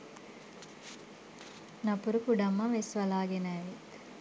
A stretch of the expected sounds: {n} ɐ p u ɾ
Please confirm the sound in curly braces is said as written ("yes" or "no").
yes